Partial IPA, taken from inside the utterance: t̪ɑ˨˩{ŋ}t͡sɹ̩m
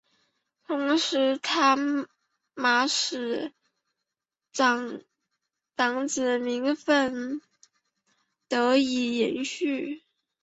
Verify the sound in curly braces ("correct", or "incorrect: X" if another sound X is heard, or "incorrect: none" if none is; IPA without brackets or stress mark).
correct